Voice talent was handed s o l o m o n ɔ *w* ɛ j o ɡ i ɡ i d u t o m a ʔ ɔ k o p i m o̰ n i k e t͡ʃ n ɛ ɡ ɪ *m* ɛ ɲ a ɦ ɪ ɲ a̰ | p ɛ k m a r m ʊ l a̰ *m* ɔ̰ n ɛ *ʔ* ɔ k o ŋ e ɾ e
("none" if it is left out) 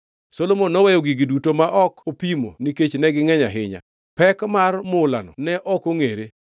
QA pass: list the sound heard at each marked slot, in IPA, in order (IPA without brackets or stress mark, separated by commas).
w, ŋ, n, ʔ